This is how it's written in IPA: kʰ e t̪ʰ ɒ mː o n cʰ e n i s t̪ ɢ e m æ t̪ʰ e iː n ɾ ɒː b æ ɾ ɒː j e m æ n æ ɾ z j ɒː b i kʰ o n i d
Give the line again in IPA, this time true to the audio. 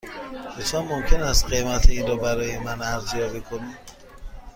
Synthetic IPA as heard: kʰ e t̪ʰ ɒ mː o m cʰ e n æ s t̪ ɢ e m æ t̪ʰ e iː n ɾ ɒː b æ ɾ ɒː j e m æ n æ ɾ z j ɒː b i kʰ o n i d